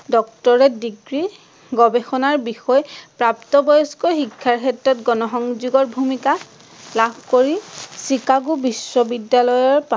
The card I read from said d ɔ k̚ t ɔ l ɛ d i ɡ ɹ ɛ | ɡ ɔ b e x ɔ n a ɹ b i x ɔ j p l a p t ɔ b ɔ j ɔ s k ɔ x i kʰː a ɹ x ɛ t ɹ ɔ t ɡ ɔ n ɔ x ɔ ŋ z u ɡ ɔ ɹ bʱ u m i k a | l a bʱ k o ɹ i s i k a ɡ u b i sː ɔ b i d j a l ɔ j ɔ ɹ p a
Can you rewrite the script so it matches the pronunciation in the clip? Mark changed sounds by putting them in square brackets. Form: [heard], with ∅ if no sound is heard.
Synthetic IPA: d ɔ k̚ t ɔ [ɹ] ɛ d i ɡ ɹ [i] | ɡ ɔ b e x ɔ n a ɹ b i x ɔ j p [ɹ] a p t ɔ b ɔ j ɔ s k ɔ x i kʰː a ɹ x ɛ t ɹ ɔ t ɡ ɔ n ɔ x ɔ ŋ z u ɡ ɔ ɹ bʱ u m i k a | l a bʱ k o ɹ i s i k a ɡ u b i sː ɔ b i d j a l ɔ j ɔ ɹ p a

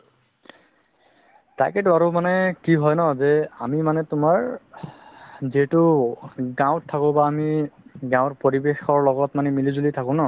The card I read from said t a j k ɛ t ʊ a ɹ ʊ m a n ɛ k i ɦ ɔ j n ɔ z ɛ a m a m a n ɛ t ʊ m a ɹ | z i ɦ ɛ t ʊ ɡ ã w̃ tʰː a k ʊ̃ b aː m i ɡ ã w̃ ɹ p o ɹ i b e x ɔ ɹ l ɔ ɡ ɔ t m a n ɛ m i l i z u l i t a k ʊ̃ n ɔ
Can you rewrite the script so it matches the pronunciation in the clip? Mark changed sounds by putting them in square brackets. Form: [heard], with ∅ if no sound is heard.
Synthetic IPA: t a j k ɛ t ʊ a ɹ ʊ m a n ɛ k i ɦ ɔ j n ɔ z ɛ a m [i] m a n ɛ t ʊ m a ɹ | z i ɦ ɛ t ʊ ɡ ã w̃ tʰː a k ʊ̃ b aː m i ɡ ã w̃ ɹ p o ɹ i b e x ɔ ɹ l ɔ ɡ ɔ t m a n ɛ m i l i z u l i [tʰ] a k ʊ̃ n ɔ

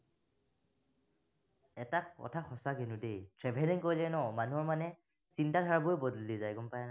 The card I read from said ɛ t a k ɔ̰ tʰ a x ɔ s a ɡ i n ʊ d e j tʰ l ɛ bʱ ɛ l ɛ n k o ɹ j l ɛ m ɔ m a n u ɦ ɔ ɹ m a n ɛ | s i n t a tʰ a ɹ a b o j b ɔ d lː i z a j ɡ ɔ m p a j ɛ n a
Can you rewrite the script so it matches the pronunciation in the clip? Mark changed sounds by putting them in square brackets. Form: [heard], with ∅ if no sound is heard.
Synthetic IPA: ɛ t a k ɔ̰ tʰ a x ɔ s a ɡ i n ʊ d e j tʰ [ɹ] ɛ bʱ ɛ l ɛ n k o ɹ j l ɛ [n] ɔ m a n u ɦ ɔ ɹ m a n ɛ | s i n t a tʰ a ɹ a b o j b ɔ d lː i z a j ɡ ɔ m p a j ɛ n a

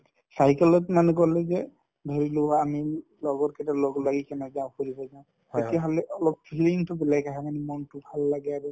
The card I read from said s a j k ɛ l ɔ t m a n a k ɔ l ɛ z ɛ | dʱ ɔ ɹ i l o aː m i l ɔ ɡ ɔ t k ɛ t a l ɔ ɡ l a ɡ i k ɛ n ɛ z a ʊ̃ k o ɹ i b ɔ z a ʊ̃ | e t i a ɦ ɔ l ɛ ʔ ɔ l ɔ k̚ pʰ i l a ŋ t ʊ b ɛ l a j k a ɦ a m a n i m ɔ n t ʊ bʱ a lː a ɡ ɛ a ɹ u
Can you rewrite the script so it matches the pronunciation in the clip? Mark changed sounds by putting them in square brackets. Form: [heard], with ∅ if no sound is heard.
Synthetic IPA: s a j k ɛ l ɔ t m a n [ɛ] k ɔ l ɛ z ɛ | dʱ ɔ ɹ i l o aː m i l ɔ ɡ ɔ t k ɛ t a l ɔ ɡ l a ɡ i k ɛ n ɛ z a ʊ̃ k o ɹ i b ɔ z a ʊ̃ | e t i a ɦ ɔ l ɛ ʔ ɔ l ɔ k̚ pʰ i l [i] ŋ t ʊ b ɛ l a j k a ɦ a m a n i m ɔ n t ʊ bʱ a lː a ɡ ɛ a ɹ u

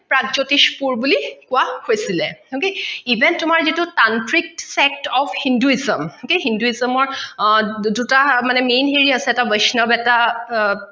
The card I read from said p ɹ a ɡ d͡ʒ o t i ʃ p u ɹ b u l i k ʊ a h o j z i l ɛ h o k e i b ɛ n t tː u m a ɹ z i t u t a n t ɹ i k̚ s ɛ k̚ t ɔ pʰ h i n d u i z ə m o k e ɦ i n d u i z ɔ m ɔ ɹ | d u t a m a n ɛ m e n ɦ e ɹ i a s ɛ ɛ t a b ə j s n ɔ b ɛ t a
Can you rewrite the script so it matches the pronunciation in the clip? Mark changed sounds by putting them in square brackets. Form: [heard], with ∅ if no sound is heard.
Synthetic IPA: p ɹ a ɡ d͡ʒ o t i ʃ p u ɹ b u l i k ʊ a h o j [s] i l ɛ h o k e i b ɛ n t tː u m a ɹ z i t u t a n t ɹ i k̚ s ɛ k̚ t ɔ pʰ h i n d u i z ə m o k e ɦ i n d u i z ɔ m ɔ ɹ | d u t a m a n ɛ m e n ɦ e ɹ i a s ɛ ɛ t a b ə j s n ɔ b ɛ t a

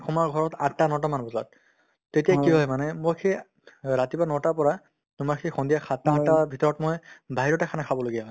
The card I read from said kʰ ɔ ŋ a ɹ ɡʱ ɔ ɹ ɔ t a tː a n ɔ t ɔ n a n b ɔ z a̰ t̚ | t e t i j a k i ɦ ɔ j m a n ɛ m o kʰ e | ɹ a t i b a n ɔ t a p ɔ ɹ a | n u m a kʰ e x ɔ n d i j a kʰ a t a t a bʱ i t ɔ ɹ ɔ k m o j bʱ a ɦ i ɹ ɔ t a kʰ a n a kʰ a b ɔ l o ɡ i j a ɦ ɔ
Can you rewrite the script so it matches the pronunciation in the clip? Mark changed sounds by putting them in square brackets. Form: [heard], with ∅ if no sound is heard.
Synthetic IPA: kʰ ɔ [m] a ɹ ɡʱ ɔ ɹ ɔ t a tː a n ɔ t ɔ [m] a n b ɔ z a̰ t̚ | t e t i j a k i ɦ ɔ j m a n ɛ m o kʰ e | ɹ a t i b a n ɔ t a p ɔ ɹ a | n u m a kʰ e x ɔ n d i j a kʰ a t a t a bʱ i t ɔ ɹ ɔ [t] m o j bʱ a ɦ i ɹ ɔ t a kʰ a n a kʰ a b ɔ l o ɡ i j a ɦ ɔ

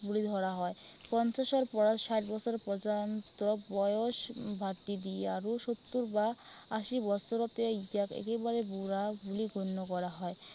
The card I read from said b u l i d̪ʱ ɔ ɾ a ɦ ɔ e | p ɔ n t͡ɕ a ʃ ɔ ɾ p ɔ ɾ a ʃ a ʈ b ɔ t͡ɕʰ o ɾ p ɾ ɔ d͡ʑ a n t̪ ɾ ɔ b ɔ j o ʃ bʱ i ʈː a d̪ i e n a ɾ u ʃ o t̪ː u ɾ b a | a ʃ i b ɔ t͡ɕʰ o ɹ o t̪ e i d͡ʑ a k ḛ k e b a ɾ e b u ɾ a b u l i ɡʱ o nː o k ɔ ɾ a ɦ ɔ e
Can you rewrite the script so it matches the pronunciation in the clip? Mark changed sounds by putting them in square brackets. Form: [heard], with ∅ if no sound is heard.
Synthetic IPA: b u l i d̪ʱ ɔ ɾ a ɦ ɔ e | p ɔ n t͡ɕ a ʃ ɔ ɾ p ɔ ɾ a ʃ a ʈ b ɔ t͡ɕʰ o ɾ p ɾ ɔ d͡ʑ a n t̪ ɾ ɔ b ɔ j o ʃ bʱ [a] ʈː [i] d̪ i e [∅] a ɾ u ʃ o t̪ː u ɾ b a | a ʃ i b ɔ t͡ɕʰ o [ɾ] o t̪ e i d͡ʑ a k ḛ k e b a ɾ e b u ɾ a b u l i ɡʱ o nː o k ɔ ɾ a ɦ ɔ e

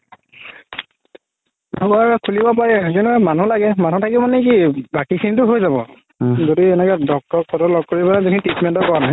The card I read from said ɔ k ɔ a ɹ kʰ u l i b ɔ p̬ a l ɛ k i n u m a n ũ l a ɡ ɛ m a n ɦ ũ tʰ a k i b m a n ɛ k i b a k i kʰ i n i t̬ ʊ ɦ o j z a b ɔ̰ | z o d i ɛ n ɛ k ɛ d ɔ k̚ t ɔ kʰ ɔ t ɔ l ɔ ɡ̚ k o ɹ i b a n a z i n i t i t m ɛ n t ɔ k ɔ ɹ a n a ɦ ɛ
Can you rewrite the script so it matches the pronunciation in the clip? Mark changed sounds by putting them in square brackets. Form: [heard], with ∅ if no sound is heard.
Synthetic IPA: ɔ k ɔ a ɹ kʰ u l i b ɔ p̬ a [ɹ] ɛ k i n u m a n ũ l a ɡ ɛ m a n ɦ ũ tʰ a k i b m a n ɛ k i b a k i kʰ i n i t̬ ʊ ɦ o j z a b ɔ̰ | z o d i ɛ n ɛ k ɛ d ɔ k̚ t ɔ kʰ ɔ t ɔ l ɔ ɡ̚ k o ɹ i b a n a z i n i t i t m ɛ n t ɔ k ɔ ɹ a n a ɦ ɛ

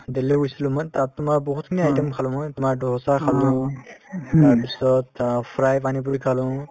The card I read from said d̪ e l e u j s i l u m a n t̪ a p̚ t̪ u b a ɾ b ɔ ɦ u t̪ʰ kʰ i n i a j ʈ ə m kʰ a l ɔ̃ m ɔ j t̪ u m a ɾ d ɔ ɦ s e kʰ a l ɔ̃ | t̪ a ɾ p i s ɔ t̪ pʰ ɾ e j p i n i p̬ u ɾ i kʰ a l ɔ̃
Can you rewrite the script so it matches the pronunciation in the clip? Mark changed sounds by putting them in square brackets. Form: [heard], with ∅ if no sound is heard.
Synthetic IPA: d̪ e l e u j s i l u m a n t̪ a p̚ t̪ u [m] a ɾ b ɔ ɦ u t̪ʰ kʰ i n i a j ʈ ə m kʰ a l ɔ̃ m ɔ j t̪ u m a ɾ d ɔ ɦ s [a] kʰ a l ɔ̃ | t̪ a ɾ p i s ɔ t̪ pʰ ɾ [a] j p [a] n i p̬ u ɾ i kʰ a l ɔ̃

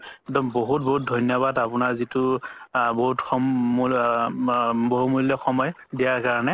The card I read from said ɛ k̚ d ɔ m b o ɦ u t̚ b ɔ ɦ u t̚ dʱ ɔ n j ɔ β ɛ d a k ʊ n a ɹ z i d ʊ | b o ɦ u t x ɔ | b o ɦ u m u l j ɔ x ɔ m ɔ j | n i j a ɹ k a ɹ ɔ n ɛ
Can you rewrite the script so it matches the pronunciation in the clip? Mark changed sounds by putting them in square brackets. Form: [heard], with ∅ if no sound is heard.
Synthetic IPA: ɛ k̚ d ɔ m b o ɦ u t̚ b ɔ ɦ u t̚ dʱ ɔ n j ɔ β [a] d a [p] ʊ n a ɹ z i [t] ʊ | b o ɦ u t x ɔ | b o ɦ u m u l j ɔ x ɔ m ɔ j | [d] i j a ɹ k a ɹ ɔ n ɛ

